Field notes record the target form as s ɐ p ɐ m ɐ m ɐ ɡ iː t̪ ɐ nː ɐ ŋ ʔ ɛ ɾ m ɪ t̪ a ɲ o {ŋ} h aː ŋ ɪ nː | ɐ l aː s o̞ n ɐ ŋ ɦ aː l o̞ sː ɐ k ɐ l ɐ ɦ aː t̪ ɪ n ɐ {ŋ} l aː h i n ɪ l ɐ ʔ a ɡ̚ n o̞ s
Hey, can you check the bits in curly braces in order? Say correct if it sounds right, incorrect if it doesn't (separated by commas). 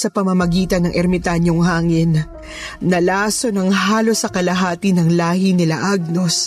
correct, correct